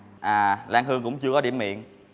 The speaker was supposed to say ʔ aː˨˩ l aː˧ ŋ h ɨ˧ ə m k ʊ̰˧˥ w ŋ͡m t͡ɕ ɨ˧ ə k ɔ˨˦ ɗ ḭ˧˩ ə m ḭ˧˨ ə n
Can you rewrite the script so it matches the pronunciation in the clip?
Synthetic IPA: ʔ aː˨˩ l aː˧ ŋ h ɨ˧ ə ŋ k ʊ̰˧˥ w ŋ͡m t͡ɕ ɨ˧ ə k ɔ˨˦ ɗ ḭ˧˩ ə m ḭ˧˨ ə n

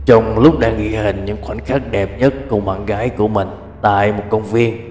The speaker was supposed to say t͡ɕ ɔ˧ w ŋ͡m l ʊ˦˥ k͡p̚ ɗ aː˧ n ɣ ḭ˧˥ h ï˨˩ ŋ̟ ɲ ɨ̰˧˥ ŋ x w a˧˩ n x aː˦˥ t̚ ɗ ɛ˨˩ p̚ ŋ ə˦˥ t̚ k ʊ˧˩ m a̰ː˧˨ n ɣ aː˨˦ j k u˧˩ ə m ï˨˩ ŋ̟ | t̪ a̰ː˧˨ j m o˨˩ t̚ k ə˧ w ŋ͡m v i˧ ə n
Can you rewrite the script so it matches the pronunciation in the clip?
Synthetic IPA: t͡ɕ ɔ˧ w ŋ͡m l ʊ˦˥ k͡p̚ ɗ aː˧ ŋ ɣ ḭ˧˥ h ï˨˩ ŋ̟ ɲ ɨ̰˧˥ ŋ x w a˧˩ n x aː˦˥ k̚ ɗ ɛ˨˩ p̚ ɲ ə˦˥ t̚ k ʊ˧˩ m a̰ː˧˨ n ɣ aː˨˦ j k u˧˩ ə m ï˨˩ ŋ̟ | t̪ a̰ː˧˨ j m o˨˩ t̚ k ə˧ w ŋ͡m v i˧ ə n

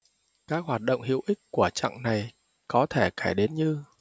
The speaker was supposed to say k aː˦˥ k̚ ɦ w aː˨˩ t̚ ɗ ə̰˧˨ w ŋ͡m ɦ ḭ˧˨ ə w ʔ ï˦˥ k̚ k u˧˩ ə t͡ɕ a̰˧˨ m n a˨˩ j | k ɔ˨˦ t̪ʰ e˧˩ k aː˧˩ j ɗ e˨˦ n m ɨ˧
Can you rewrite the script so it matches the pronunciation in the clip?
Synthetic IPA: k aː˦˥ k̚ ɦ w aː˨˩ t̚ ɗ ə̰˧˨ w ŋ͡m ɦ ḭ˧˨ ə w ʔ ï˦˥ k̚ k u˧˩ ə t͡ɕ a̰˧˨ ŋ n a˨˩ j | k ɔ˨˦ t̪ʰ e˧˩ k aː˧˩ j ɗ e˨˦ n ɲ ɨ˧

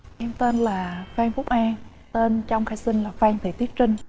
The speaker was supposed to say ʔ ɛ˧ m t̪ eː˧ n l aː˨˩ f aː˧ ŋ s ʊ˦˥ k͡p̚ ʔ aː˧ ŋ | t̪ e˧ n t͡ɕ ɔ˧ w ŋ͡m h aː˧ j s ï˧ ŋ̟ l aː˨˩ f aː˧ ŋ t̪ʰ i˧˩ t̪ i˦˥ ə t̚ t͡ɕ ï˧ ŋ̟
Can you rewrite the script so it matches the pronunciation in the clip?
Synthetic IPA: ʔ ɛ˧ m t̪ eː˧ n l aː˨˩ f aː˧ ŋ f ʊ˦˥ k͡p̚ ʔ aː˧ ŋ | t̪ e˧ n t͡ɕ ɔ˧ w ŋ͡m x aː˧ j s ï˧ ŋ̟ l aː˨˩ f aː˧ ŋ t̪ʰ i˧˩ t̪ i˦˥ ə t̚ t͡ɕ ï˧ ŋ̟

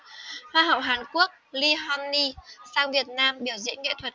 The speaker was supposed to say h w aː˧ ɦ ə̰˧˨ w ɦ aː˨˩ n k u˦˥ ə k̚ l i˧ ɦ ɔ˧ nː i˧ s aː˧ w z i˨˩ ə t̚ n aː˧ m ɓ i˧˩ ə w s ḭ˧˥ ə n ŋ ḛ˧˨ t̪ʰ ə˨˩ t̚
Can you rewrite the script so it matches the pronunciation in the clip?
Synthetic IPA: h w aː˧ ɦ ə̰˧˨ w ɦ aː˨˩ n k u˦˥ ə k̚ l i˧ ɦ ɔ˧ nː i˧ s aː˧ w v i˨˩ ə t̚ n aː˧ m ɓ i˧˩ ə w z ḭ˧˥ ə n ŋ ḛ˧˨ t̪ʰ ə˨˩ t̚

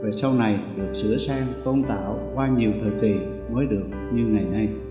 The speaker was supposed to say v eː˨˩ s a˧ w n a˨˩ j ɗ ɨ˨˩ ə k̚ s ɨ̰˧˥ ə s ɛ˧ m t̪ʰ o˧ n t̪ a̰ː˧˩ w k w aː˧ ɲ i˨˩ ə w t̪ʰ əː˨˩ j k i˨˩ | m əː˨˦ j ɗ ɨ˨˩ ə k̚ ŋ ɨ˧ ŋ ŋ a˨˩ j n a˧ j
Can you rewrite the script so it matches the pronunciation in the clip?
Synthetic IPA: v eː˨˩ s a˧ w n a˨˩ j ɗ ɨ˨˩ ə k̚ s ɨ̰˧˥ ə s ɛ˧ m t̪ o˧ n t̪ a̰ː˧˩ w k w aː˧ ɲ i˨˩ ə w t̪ʰ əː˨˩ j k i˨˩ | m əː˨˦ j ɗ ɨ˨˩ ə k̚ ɲ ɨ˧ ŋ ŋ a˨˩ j n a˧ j

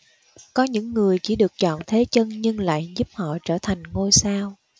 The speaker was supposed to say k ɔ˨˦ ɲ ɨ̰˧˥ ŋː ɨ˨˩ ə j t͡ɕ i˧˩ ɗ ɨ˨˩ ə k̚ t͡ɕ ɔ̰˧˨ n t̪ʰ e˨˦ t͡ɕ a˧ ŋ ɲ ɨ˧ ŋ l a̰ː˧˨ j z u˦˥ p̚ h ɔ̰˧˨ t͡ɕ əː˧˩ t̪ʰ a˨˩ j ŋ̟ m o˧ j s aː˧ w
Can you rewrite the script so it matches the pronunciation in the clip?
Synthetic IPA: k ɔ˨˦ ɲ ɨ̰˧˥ ŋː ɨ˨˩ ə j t͡ɕ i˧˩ ɗ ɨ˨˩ ə k̚ t͡ɕ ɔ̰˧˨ n t̪ʰ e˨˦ t͡ɕ ə˧ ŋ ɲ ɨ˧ ŋ l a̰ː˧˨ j z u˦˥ p̚ h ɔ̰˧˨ t͡ɕ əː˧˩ t̪ʰ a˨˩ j ŋ̟ ŋ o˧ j s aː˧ w

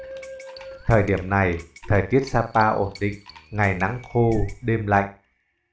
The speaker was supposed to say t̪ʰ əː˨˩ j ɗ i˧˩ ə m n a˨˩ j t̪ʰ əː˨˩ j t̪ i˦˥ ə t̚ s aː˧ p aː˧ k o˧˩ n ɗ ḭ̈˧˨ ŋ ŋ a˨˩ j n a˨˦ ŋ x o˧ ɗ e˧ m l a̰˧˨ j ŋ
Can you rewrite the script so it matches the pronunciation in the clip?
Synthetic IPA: t̪ʰ əː˨˩ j ɗ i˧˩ ə m n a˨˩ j t̪ʰ əː˨˩ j t̪ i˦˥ ə t̚ s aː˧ p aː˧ ʔ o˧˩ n ɗ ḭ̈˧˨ ŋ ŋ a˨˩ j n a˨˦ ŋ x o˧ ɗ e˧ m l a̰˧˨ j ŋ

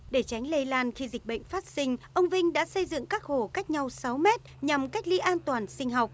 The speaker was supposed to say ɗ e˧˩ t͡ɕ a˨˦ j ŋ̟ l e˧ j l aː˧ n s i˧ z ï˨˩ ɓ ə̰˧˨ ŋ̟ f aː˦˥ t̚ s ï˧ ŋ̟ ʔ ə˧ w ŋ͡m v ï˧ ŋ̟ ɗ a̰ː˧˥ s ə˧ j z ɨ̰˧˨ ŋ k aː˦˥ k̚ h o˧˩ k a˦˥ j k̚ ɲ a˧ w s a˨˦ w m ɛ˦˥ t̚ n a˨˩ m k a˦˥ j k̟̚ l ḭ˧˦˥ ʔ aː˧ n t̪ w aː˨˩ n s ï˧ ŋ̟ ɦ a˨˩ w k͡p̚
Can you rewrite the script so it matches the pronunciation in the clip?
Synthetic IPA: ɗ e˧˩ t͡ɕ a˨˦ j ŋ̟ l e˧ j l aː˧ n x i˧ z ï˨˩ ɓ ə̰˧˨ ŋ̟ f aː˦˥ t̚ s ï˧ ŋ̟ ʔ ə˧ w ŋ͡m v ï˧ ŋ̟ ɗ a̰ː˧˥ s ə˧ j z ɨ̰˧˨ ŋ k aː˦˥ k̚ h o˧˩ k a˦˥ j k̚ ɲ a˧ w s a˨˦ w m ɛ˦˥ t̚ ɲ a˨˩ m k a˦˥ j k̟̚ l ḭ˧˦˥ ʔ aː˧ n t̪ w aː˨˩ n s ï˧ ŋ̟ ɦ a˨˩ w k͡p̚

